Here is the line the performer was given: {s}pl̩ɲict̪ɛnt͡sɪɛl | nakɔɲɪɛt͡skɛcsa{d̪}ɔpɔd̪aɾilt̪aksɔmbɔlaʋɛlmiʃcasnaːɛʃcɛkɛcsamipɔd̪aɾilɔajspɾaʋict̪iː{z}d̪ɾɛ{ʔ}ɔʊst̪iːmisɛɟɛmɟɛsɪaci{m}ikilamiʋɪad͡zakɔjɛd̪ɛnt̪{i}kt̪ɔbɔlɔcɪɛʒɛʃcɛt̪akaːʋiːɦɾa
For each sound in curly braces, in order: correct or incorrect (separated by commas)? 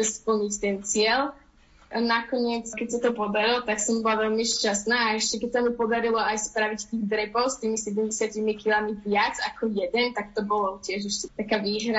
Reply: correct, incorrect, incorrect, incorrect, correct, incorrect